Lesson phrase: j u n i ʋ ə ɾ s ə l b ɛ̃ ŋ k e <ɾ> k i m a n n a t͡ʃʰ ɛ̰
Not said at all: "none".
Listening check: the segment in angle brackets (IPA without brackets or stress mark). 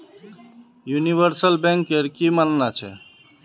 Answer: ɾ